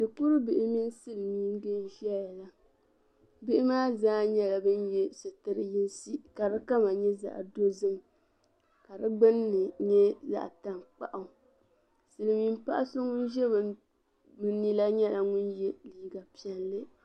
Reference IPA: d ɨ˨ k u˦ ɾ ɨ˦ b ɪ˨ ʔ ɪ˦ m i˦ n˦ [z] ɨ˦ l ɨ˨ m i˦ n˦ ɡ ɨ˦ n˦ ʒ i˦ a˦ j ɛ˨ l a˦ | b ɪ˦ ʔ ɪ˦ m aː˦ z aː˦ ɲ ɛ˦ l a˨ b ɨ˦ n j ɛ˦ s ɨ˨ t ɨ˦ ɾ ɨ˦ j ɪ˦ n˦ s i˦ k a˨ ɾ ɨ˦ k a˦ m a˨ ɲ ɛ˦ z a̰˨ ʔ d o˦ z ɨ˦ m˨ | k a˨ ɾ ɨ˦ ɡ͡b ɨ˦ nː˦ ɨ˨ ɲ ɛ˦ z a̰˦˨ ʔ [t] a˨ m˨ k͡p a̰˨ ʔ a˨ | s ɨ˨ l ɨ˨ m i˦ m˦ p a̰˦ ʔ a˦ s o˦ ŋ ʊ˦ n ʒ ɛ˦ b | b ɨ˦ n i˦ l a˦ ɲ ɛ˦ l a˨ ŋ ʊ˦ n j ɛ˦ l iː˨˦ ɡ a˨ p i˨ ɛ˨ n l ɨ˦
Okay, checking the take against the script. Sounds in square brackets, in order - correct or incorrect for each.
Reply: incorrect: s, correct

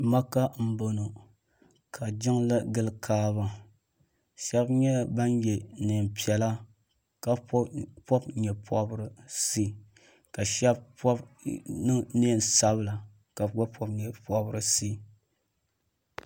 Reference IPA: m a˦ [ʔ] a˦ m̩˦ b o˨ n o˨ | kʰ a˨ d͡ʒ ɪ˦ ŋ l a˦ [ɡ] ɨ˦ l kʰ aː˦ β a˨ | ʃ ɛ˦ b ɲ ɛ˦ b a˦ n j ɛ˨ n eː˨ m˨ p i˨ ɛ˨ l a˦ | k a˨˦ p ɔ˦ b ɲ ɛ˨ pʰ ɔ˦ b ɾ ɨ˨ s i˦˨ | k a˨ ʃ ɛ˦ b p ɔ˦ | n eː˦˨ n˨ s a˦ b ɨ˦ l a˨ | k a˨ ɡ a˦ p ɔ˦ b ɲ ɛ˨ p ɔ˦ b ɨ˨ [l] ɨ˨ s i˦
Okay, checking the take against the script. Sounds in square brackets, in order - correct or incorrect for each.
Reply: incorrect: k, correct, incorrect: ɾ

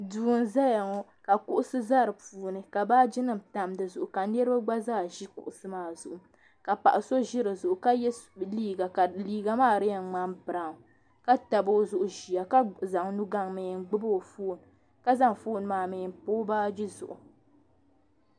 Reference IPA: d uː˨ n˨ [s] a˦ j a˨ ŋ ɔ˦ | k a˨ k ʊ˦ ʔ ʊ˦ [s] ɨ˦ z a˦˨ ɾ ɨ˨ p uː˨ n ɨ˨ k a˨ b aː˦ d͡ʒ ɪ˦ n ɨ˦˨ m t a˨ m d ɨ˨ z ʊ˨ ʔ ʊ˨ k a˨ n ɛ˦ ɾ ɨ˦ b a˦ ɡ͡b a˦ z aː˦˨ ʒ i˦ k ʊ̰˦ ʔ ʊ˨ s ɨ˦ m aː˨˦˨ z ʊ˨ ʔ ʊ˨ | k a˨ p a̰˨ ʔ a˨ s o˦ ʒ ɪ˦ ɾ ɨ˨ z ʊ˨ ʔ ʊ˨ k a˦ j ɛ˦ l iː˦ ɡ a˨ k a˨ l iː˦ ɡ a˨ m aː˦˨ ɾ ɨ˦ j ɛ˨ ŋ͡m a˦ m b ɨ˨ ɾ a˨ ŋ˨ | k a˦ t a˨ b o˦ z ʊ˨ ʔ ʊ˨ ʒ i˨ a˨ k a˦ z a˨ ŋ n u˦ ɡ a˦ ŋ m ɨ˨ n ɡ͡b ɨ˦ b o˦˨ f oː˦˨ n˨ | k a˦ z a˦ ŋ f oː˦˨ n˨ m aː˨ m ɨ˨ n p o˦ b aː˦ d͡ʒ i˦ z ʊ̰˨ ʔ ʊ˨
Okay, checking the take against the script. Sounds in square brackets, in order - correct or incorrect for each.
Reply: incorrect: z, correct

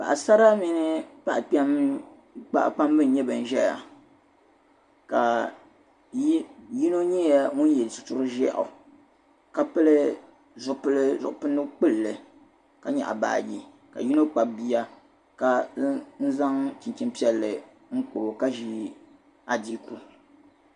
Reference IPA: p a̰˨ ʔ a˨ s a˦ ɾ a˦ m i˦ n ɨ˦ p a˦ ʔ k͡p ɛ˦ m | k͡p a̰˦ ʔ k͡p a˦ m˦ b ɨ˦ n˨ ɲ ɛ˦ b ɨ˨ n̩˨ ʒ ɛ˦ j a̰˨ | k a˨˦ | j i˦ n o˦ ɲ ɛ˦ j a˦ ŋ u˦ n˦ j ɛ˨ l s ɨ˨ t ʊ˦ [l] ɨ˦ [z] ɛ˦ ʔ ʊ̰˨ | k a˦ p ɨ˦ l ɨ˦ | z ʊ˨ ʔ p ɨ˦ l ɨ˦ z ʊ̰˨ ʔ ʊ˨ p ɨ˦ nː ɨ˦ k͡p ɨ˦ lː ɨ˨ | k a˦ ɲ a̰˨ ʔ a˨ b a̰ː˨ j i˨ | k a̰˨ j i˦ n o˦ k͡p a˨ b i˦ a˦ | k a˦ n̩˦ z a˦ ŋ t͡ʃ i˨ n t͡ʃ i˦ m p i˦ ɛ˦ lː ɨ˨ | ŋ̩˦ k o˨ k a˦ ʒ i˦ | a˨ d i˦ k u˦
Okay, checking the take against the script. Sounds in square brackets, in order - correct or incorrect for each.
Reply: incorrect: ɾ, incorrect: ʒ

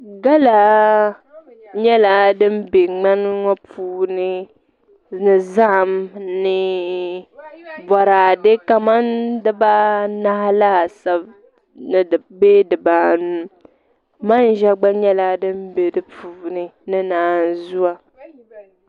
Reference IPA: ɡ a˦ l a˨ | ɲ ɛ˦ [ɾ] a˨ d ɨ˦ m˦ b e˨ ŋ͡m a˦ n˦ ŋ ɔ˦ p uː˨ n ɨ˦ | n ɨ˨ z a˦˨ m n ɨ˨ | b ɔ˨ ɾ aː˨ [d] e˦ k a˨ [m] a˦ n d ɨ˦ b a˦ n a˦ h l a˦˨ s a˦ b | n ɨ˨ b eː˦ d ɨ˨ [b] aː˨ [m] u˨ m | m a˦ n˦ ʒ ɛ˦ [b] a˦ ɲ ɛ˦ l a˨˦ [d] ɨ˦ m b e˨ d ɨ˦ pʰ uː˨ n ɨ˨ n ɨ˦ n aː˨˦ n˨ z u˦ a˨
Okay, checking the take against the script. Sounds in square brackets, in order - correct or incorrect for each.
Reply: incorrect: l, correct, correct, correct, incorrect: n, incorrect: ɡ͡b, correct

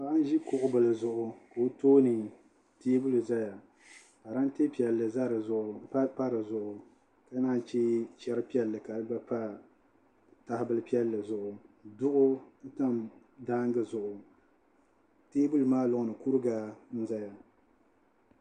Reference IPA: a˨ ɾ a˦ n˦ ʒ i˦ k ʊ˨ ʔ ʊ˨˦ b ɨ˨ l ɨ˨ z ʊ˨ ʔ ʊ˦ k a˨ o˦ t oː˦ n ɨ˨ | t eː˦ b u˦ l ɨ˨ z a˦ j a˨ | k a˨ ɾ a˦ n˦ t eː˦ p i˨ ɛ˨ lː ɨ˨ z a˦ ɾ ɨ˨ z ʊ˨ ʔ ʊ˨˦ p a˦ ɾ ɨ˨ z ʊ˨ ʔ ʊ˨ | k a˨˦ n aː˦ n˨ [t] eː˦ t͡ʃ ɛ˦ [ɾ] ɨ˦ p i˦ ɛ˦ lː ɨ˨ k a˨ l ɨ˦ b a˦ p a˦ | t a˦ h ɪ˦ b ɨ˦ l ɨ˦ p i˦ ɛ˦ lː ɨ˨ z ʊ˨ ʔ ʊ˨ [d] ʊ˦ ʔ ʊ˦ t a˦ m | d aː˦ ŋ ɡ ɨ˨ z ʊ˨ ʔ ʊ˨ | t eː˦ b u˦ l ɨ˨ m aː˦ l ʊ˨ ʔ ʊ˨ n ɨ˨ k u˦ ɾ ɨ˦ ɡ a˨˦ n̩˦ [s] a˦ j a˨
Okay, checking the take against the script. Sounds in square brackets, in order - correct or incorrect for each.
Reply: incorrect: t͡ʃ, correct, correct, incorrect: z

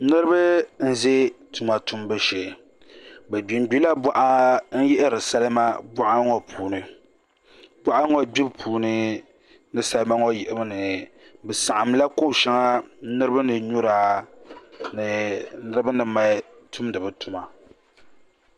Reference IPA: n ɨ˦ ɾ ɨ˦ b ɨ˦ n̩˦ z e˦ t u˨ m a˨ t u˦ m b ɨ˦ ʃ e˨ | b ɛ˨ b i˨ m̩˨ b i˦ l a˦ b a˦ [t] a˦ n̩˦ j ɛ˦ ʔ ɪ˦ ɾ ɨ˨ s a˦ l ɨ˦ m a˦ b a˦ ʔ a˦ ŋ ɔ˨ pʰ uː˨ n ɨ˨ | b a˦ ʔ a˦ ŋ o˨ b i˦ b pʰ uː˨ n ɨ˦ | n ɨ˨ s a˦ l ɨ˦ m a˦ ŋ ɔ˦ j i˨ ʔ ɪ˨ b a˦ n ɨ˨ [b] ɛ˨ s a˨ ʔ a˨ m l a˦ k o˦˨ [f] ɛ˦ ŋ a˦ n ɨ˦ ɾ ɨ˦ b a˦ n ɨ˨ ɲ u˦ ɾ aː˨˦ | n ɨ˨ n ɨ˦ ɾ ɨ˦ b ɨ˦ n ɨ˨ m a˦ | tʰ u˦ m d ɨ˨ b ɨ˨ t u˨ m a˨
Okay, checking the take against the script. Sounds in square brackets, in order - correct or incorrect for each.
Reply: incorrect: ʔ, correct, incorrect: ʃ

